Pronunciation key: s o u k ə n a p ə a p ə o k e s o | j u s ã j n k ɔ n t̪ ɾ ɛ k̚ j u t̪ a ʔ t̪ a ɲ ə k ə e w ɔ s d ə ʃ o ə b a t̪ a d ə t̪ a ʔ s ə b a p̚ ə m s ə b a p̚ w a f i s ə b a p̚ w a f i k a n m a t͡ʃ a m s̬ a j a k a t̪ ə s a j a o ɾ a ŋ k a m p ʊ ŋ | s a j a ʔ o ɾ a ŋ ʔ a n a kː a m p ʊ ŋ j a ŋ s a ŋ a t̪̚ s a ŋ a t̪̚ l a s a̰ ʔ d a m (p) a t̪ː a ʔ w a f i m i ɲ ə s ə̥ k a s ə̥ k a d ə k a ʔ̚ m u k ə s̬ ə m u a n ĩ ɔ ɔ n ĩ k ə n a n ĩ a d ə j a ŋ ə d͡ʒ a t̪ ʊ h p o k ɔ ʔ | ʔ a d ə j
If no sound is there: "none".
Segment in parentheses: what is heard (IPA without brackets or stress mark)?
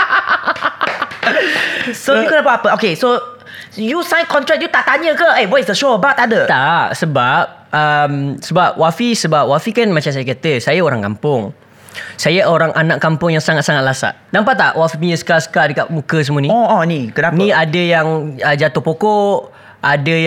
p